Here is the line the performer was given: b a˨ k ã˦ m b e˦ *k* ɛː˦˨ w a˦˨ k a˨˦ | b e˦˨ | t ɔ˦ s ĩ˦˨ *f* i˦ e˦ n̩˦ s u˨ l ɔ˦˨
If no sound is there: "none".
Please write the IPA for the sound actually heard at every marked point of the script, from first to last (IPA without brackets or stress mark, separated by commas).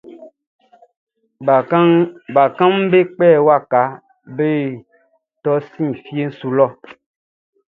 k͡p, f